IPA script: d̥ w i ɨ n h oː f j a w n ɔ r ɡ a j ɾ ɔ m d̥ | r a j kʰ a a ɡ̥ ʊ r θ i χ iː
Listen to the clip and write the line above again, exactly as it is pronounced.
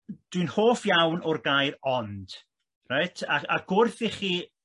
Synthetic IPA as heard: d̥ w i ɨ n h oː f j a w n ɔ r ɡ a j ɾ ɔ n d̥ | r a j tʰ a a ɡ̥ ʊ r θ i χ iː